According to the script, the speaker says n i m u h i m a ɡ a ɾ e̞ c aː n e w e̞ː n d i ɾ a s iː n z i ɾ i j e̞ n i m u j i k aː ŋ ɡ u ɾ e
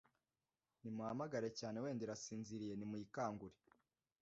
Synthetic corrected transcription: n i m u h a m a ɡ a ɾ e̞ c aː n e w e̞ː n d i ɾ a s iː n z i ɾ i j e̞ n i m u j i k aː ŋ ɡ u ɾ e